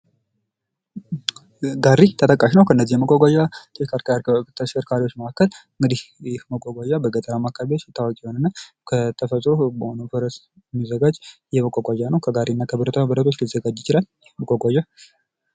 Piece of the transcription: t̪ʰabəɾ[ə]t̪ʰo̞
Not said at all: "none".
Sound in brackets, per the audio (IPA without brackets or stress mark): ə